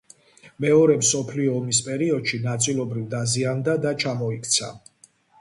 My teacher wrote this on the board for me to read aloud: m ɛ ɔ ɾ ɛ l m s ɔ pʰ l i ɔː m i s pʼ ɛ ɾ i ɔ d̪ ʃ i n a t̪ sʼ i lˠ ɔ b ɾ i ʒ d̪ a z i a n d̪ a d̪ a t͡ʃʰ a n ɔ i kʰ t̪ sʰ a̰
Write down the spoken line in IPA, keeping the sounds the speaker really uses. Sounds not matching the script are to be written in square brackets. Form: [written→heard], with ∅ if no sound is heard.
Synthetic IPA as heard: m ɛ ɔ ɾ ɛ [l→∅] m s ɔ pʰ l i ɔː m i s pʼ ɛ ɾ i ɔ d̪ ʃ i n a t̪ sʼ i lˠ ɔ b ɾ i [ʒ→v] d̪ a z i a n d̪ a d̪ a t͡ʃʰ a [n→m] ɔ i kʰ t̪ sʰ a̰